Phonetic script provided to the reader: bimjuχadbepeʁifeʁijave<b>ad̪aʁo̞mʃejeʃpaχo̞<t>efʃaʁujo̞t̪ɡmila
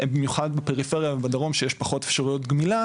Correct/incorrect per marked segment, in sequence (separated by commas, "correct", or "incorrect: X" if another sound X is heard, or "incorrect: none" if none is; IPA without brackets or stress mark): correct, correct